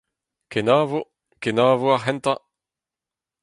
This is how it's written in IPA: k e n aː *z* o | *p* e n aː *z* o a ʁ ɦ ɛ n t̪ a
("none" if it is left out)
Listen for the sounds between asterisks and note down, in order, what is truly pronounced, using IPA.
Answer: v, k, v

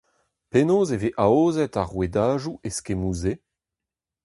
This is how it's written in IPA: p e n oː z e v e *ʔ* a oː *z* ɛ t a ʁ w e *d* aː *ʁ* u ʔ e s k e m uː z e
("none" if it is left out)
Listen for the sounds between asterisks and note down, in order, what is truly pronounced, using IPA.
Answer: ʔ, z, d, ʒ

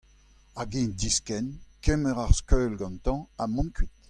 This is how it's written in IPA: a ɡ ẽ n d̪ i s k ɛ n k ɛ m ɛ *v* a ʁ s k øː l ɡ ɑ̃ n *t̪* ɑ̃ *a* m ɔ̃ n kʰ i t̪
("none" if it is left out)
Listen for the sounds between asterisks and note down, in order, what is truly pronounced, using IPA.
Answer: ʁ, t̪, a

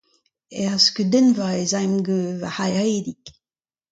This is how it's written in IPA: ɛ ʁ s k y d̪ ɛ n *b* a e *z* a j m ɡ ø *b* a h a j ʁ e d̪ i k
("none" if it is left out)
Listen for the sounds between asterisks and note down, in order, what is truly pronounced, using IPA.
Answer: v, z, v

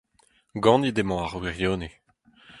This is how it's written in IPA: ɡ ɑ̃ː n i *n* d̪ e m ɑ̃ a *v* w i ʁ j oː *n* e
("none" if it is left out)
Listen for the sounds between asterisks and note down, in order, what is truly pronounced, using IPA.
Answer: none, ʁ, n

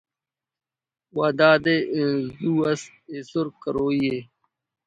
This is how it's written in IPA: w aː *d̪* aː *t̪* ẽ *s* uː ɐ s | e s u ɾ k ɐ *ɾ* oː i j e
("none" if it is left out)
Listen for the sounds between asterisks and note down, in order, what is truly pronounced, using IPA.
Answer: d̪, d̪, z, ɾ

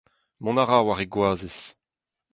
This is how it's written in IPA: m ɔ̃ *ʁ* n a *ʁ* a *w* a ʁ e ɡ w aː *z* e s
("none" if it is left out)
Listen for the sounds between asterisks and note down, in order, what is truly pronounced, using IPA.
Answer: none, ʁ, w, z

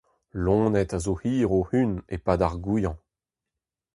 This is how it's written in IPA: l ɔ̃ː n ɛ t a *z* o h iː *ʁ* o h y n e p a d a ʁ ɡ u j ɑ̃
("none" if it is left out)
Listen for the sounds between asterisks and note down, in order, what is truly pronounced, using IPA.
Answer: z, ʁ

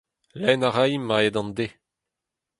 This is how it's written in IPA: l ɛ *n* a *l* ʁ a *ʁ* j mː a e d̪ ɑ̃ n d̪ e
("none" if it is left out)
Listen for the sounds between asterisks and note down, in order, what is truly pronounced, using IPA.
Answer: n, none, none

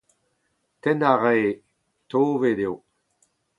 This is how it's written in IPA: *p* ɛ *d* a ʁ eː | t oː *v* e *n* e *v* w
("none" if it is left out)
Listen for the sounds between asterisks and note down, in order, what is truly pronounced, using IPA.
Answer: t, n, v, d, none

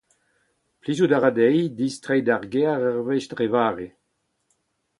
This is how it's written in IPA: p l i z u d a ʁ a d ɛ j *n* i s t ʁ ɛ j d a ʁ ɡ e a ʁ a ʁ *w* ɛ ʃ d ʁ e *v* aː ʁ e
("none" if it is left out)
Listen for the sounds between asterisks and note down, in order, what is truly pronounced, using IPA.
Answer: d, v, v

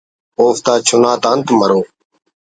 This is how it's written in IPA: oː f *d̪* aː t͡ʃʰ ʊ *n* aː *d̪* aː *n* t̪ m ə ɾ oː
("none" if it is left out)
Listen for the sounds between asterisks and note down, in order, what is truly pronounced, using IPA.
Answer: t̪, n, t̪, n

